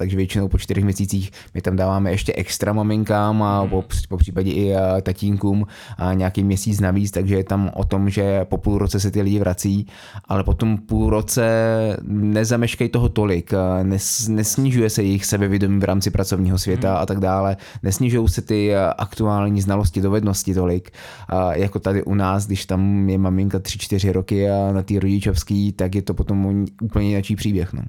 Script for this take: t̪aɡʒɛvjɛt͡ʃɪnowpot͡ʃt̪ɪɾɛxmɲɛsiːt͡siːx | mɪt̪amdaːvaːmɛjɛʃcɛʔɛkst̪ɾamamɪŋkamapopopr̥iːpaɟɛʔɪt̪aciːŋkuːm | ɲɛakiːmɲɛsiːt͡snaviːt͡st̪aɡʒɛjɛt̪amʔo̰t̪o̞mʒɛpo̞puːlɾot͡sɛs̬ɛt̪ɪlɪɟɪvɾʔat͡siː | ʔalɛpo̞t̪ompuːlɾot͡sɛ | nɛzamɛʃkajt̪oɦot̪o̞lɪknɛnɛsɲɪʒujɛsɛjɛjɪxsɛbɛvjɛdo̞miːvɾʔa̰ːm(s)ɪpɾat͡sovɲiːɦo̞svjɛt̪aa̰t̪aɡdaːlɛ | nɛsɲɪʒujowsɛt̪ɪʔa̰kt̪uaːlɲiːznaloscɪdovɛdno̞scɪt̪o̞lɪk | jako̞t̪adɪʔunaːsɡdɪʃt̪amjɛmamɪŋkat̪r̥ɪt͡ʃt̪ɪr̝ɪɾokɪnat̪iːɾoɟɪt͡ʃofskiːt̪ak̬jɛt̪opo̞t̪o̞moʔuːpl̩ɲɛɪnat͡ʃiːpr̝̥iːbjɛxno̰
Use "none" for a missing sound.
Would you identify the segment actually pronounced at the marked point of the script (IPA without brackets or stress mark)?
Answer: t͡s